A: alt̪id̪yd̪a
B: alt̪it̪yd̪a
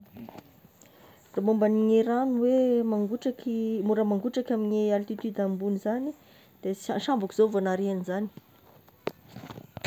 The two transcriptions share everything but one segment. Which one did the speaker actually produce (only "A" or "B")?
B